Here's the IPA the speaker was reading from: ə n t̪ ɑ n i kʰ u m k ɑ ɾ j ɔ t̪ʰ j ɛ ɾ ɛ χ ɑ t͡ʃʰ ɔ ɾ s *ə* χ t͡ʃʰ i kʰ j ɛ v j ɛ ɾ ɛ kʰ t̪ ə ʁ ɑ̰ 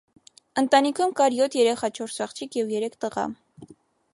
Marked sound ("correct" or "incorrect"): incorrect